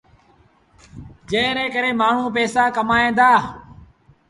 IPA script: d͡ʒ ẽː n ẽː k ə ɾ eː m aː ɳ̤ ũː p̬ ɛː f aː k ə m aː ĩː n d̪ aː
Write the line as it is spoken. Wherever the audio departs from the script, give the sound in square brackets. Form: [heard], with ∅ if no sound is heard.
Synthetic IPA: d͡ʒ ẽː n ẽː k ə ɾ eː m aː ɳ̤ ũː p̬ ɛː [s] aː k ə m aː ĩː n d̪ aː